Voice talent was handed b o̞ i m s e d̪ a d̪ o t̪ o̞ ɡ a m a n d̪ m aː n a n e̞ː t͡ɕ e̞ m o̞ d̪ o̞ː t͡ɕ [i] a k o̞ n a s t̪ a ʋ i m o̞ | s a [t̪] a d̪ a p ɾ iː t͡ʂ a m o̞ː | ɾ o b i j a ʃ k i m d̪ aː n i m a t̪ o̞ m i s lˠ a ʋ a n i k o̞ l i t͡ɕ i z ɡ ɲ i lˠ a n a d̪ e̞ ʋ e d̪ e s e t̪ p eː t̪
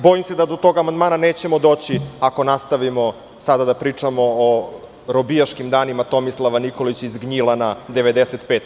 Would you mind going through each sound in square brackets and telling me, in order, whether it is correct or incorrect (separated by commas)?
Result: correct, incorrect